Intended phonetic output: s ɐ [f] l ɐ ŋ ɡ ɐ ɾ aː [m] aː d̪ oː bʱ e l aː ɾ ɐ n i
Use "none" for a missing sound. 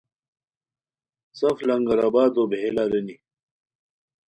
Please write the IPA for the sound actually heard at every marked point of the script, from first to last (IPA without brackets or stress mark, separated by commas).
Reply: f, b